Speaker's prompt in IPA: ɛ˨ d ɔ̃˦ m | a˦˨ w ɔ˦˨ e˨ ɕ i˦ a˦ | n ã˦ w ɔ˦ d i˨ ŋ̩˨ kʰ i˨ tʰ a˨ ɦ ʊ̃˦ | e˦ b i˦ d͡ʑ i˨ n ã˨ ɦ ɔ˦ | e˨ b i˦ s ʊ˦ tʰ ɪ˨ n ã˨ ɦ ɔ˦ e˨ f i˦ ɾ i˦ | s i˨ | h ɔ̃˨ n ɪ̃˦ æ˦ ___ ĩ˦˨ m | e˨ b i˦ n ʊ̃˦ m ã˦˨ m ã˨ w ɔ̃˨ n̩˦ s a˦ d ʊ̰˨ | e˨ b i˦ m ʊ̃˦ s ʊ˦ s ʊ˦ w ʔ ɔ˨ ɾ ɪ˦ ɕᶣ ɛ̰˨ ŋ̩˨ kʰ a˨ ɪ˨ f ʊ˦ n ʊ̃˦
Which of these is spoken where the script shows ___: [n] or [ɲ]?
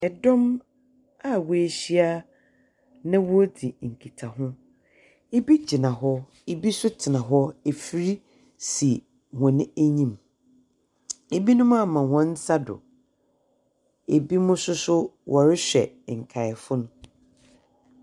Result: ɲ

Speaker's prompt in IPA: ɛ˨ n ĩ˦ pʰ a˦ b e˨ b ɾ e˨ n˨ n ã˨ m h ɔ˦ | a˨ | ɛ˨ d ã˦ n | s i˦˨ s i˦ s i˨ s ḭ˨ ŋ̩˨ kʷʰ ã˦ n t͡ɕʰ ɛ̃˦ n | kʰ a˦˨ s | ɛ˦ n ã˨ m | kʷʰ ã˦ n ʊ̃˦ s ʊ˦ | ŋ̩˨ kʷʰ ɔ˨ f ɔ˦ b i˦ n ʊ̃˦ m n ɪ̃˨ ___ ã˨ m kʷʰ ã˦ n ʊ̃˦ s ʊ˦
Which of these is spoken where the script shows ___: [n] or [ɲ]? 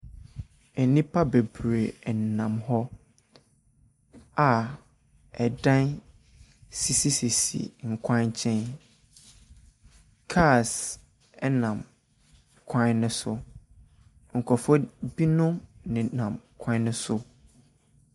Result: n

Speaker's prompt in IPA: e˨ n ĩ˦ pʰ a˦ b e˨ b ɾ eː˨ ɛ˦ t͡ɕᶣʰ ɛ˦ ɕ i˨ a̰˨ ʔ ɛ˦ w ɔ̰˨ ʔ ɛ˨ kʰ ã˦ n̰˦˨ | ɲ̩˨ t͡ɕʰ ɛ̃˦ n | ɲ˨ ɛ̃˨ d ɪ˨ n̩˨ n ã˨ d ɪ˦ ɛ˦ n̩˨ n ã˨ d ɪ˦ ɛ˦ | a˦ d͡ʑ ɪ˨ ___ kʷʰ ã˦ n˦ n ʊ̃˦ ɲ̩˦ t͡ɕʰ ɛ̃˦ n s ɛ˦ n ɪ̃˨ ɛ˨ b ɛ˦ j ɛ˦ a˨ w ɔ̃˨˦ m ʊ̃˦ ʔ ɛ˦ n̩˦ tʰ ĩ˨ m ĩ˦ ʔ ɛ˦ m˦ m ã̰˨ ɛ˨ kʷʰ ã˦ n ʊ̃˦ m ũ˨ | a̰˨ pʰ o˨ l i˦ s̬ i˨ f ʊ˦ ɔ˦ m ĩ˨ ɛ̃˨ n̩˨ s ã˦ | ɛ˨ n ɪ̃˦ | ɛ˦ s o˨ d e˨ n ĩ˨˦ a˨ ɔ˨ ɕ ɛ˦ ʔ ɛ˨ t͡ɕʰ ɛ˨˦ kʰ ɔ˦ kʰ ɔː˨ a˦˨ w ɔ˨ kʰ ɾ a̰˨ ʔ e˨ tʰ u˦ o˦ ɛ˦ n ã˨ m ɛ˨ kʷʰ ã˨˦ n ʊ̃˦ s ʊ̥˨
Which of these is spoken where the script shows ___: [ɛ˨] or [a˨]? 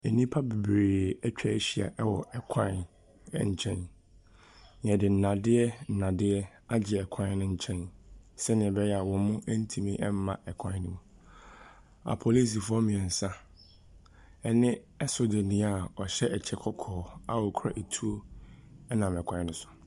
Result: ɛ˨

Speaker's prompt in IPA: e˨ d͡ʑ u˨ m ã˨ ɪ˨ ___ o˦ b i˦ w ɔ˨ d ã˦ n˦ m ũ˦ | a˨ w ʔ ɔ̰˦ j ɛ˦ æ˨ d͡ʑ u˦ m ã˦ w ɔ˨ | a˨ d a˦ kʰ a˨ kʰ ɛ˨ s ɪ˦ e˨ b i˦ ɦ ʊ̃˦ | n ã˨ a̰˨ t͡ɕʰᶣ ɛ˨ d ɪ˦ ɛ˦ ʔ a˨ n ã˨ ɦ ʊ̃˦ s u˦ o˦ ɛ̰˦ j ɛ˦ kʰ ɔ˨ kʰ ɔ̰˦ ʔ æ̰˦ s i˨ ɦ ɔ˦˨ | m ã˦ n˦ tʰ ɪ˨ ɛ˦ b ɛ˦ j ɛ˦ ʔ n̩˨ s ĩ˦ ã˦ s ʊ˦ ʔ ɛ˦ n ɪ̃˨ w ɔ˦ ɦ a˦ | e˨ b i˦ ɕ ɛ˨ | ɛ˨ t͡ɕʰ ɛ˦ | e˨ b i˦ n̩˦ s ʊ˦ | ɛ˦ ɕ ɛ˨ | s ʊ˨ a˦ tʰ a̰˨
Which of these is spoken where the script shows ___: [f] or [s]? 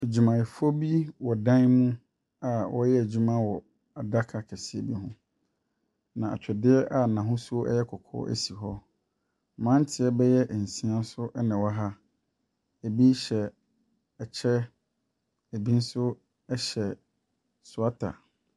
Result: f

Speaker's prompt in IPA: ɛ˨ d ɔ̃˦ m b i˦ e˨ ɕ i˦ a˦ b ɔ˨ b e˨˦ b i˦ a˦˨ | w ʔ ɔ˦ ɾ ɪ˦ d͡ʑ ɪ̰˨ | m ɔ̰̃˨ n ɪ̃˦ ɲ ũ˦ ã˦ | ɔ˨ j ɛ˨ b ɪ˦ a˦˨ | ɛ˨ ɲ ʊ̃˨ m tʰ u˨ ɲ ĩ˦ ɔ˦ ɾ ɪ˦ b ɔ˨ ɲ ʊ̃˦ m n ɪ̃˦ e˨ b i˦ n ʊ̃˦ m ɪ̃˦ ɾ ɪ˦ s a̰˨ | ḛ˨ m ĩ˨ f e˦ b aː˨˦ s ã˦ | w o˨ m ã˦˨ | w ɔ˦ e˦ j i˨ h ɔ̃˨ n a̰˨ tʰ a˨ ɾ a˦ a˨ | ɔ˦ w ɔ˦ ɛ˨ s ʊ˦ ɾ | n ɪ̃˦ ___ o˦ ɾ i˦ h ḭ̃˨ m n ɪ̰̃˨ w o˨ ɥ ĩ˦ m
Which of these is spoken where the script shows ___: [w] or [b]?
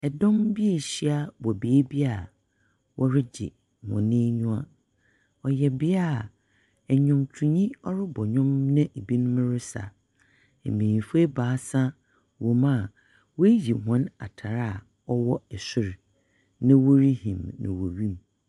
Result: w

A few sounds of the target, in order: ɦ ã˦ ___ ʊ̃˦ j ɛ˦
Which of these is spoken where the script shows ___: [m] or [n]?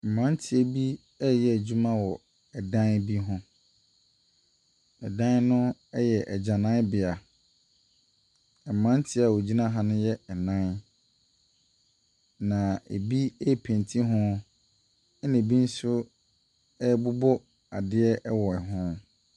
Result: n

